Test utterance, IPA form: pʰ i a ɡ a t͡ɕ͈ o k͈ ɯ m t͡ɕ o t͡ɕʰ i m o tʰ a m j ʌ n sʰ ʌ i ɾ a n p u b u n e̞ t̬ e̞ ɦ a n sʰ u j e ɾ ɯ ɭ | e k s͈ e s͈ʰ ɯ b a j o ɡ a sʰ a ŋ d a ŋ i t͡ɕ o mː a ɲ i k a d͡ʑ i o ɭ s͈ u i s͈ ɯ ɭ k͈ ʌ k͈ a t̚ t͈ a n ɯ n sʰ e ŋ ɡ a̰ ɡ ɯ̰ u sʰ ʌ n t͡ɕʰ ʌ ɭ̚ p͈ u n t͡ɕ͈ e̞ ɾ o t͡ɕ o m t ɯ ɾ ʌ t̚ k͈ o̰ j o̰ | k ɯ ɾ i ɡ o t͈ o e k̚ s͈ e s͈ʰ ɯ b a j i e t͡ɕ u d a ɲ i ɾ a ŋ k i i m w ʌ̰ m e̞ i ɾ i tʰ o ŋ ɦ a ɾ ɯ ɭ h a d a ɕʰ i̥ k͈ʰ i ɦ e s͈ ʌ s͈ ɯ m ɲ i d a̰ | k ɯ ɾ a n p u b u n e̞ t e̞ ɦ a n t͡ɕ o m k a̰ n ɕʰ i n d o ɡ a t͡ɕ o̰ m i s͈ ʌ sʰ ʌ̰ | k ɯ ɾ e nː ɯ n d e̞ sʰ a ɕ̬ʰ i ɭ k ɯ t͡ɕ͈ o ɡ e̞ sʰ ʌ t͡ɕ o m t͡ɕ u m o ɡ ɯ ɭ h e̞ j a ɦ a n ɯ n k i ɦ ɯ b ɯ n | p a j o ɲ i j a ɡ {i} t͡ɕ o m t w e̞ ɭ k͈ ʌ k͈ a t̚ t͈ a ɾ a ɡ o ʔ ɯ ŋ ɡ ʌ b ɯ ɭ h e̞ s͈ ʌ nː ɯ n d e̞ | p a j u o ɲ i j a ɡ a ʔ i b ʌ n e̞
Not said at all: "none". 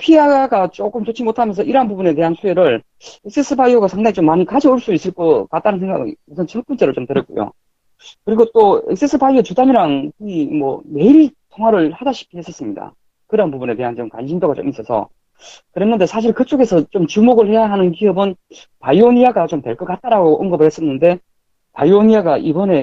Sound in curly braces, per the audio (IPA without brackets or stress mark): a